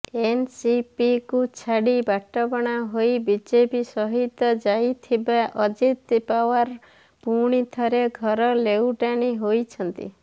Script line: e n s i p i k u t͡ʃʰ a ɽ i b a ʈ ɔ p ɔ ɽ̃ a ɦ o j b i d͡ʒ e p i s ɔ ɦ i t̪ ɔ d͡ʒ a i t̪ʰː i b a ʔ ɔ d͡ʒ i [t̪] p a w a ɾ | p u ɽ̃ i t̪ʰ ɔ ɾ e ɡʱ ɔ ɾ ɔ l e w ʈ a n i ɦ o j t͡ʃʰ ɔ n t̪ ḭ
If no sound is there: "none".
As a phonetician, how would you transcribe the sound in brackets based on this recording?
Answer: t̪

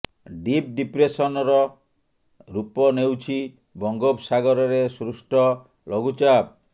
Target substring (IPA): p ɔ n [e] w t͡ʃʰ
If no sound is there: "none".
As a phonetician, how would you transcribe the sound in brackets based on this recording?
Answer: e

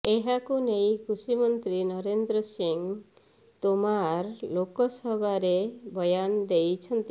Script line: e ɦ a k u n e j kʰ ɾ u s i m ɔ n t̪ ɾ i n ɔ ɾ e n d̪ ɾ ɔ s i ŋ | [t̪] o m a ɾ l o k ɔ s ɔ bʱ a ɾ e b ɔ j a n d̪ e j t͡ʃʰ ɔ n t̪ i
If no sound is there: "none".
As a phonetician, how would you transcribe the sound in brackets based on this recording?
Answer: t̪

